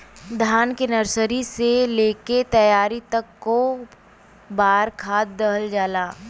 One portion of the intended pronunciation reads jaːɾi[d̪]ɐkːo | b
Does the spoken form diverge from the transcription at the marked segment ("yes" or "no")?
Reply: yes